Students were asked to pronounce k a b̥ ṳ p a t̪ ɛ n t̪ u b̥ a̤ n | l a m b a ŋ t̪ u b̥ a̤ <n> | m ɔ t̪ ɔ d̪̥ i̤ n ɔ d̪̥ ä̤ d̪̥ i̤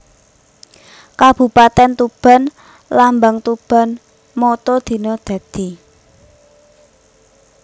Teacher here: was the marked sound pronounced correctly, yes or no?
yes